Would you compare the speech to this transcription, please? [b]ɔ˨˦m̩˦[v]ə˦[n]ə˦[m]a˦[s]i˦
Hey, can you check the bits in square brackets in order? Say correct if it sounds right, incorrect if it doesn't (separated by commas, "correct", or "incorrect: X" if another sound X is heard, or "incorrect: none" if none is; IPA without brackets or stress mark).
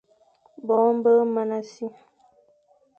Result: correct, incorrect: b, incorrect: m, incorrect: n, correct